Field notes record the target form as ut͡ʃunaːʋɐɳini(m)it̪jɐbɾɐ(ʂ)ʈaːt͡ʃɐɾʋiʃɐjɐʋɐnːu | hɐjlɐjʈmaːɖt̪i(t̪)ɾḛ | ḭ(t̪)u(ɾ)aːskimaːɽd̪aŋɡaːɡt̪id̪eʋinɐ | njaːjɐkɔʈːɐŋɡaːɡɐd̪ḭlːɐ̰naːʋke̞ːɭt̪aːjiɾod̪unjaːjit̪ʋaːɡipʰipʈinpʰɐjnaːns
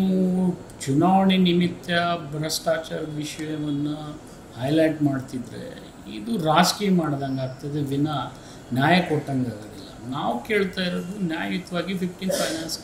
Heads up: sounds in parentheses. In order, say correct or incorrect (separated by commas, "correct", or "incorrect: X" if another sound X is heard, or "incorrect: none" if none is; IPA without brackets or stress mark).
correct, incorrect: s, incorrect: d̪, incorrect: d̪, correct